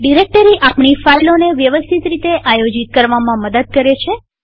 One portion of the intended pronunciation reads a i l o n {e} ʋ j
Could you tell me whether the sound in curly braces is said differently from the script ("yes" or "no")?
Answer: no